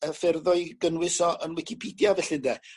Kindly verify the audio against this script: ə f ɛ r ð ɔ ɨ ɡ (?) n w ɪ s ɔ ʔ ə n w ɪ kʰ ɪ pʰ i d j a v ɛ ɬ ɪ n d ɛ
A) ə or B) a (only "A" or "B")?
A